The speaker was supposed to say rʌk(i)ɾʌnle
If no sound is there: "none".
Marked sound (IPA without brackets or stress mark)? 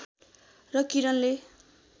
i